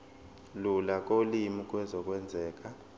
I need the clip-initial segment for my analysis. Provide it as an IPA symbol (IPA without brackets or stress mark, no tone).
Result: l